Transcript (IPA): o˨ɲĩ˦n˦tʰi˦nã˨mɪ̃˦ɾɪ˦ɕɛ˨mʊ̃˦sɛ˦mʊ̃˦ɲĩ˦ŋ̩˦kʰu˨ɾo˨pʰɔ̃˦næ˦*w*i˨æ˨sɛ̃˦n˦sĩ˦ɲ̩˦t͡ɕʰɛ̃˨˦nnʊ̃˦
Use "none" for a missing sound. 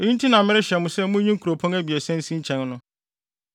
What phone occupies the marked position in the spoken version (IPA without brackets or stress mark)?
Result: b